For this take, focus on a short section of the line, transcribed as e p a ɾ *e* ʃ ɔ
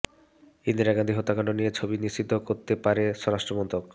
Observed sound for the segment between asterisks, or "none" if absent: e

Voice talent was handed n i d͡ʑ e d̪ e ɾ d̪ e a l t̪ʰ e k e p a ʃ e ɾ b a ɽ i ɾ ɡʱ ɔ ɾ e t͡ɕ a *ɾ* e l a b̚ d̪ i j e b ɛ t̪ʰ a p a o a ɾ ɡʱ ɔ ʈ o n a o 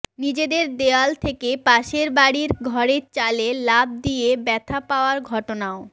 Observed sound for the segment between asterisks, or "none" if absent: l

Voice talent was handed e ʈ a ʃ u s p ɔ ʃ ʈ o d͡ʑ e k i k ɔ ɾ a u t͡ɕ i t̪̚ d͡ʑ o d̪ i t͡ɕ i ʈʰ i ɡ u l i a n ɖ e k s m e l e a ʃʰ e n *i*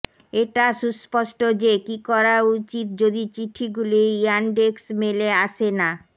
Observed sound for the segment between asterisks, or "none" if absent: a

